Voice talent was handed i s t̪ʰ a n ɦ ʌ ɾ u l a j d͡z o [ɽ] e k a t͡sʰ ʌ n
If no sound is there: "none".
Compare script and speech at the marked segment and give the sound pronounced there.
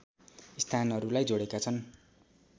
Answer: ɽ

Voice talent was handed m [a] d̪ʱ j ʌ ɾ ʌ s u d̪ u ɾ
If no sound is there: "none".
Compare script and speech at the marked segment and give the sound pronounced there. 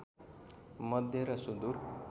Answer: ʌ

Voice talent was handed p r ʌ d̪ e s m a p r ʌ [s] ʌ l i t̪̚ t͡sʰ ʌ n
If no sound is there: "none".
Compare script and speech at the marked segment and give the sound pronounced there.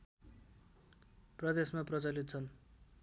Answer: t͡s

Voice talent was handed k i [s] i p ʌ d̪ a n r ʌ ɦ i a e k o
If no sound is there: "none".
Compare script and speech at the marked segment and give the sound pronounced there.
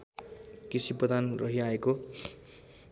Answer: s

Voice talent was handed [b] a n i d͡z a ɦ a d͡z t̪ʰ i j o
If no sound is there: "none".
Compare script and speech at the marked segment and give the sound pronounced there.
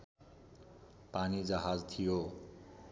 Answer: p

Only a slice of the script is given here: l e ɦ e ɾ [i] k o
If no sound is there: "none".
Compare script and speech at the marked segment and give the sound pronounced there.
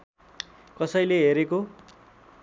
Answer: e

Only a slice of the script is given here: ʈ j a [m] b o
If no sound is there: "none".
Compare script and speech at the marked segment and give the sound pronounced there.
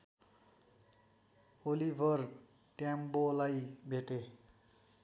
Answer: m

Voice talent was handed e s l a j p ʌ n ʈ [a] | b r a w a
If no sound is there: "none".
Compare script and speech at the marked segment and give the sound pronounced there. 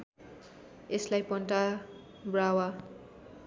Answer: a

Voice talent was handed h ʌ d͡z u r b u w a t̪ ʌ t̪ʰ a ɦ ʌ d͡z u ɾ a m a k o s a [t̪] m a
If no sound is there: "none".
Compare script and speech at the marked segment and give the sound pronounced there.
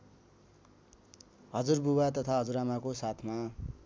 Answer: t̪ʰ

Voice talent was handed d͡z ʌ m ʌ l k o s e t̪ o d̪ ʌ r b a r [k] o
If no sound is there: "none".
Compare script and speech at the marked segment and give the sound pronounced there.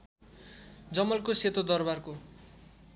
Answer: k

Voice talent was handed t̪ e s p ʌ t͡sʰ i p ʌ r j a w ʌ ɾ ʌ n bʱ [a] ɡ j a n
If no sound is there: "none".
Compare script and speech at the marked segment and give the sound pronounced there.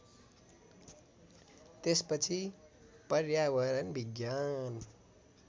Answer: i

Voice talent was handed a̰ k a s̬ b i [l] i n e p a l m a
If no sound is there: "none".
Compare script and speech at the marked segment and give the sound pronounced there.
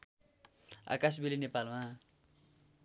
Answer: l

